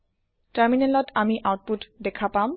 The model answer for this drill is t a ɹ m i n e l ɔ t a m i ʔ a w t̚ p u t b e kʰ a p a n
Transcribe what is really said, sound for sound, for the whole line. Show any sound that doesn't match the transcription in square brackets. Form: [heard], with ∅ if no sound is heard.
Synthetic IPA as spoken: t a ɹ m i n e l ɔ t a m i ʔ a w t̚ p u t [d] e kʰ a p a [m]